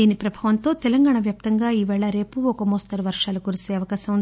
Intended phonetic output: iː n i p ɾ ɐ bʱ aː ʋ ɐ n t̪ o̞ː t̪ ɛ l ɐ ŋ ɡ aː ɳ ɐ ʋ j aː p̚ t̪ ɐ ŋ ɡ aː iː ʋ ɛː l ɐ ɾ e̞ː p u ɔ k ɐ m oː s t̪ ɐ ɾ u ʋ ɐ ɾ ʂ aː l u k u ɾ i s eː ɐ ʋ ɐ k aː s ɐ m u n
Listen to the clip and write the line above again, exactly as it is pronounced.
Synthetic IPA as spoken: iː n i p ɾ ɐ bʱ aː ʋ ɐ n t̪ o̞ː t̪ ɛ l ɐ ŋ ɡ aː ɳ ɐ ʋ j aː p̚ t̪ ɐ ŋ ɡ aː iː ʋ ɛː ɭ ɐ ɾ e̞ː p u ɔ k ɐ m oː s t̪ ɐ ɾ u ʋ ɐ ɾ ʂ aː l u k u ɾ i s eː ɐ ʋ ɐ k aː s ɐ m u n